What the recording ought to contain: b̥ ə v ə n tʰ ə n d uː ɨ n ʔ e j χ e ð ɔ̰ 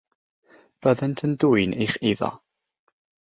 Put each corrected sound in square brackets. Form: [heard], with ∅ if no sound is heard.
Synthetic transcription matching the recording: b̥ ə [ð] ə n tʰ ə n d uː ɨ n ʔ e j χ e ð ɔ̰